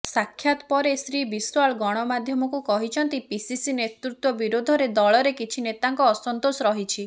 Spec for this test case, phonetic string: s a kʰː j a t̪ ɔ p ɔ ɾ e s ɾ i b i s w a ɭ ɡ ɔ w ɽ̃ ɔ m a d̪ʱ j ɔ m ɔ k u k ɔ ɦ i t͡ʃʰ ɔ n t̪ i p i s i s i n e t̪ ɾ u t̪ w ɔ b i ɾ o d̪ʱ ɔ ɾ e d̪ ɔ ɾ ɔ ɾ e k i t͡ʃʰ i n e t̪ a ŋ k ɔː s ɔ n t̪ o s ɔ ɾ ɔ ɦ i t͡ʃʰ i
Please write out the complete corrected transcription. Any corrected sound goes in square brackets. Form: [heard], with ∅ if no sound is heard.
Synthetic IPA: s a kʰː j a t̪ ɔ p ɔ ɾ e s ɾ i b i s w a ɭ ɡ ɔ [∅] ɽ̃ ɔ m a d̪ʱ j ɔ m ɔ k u k ɔ ɦ i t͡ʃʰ ɔ n t̪ i p i s i s i n e t̪ ɾ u t̪ w ɔ b i ɾ o d̪ʱ ɔ ɾ e d̪ ɔ [ɭ] ɔ ɾ e k i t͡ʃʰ i n e t̪ a ŋ k ɔː s ɔ n t̪ o s ɔ ɾ ɔ ɦ i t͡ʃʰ i